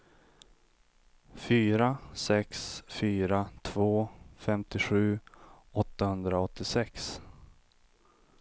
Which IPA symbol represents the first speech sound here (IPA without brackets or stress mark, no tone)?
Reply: f